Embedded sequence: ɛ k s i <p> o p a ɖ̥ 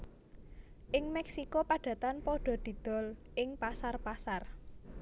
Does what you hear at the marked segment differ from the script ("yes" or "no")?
yes